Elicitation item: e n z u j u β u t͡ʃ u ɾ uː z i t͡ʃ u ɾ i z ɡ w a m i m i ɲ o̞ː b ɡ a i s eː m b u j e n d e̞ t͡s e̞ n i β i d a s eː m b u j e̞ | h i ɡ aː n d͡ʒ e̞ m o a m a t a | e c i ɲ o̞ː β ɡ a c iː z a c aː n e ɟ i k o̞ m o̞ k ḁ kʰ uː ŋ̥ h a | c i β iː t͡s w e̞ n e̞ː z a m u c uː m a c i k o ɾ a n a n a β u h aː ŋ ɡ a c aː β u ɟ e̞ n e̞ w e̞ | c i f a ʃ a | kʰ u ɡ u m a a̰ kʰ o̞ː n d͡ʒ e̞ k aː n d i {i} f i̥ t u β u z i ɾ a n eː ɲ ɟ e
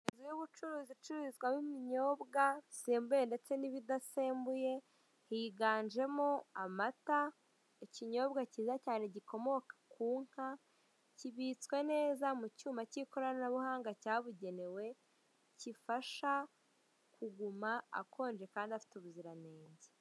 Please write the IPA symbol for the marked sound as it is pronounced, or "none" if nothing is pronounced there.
a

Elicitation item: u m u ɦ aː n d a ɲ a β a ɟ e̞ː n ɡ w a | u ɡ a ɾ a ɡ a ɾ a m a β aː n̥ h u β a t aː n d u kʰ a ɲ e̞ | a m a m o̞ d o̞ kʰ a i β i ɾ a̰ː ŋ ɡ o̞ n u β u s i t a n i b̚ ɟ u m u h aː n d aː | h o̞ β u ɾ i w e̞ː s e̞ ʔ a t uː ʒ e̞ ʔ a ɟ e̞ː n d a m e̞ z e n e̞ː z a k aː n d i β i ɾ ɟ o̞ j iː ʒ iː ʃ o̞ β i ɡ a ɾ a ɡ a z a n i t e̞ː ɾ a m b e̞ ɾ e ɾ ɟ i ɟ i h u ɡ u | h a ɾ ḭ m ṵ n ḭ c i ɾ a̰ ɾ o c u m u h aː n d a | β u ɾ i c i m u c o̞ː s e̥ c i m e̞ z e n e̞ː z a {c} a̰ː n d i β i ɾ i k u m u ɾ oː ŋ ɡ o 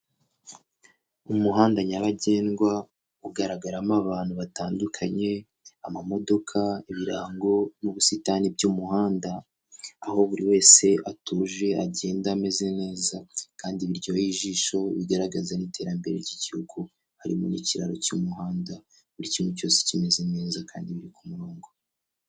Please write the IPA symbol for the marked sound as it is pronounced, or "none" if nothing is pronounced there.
k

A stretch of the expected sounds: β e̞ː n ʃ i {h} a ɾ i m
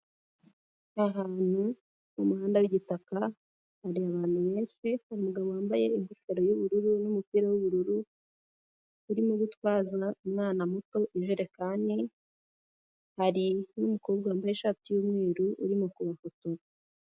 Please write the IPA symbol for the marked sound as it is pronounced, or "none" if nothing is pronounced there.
h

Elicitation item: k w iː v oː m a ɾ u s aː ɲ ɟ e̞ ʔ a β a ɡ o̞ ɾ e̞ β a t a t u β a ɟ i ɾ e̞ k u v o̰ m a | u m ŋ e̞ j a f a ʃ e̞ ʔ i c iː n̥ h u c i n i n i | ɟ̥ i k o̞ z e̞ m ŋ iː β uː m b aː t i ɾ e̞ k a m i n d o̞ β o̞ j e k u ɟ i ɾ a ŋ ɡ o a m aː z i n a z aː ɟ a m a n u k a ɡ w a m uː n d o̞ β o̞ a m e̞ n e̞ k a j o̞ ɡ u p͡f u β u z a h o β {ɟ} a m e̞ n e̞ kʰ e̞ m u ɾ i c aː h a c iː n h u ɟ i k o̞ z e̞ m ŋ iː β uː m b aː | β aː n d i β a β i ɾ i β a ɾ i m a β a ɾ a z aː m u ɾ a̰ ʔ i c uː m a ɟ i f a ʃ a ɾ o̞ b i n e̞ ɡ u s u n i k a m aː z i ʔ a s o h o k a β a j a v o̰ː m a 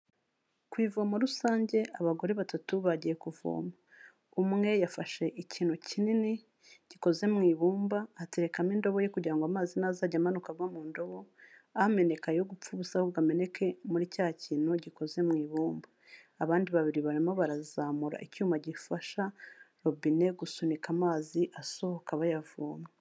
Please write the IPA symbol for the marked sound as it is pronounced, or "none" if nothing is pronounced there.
ɡ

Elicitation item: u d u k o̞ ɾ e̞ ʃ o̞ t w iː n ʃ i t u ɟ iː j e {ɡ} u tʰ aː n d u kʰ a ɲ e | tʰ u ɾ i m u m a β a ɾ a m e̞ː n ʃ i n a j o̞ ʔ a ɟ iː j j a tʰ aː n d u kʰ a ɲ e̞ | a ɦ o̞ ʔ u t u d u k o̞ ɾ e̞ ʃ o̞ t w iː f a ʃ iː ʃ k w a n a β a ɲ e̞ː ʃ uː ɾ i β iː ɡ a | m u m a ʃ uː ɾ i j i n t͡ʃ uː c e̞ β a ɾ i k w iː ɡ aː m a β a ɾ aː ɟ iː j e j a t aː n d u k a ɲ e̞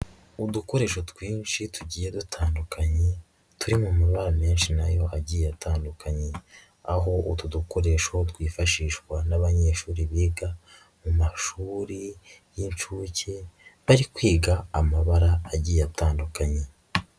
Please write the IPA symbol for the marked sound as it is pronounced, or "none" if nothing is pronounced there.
d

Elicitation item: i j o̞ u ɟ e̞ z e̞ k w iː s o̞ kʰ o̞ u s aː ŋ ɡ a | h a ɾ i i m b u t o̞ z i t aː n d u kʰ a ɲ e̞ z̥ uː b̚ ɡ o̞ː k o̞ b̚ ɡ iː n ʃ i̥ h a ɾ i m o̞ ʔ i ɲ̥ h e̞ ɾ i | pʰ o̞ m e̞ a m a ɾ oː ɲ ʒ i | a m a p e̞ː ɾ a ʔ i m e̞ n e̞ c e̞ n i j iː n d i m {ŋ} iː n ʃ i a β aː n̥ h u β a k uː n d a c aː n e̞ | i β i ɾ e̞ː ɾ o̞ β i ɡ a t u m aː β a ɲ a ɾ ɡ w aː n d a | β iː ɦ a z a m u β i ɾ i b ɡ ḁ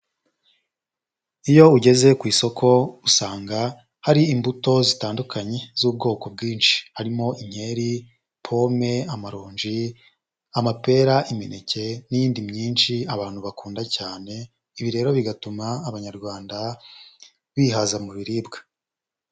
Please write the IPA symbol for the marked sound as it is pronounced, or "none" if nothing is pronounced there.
ɲ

